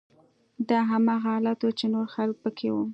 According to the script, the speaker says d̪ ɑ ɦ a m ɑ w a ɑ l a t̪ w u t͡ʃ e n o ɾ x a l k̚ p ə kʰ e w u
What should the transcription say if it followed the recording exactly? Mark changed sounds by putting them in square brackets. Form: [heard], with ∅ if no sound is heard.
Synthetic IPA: d̪ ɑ ɦ a m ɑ [ɣ] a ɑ l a t̪ w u t͡ʃ e n o ɾ x a l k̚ p ə kʰ e w u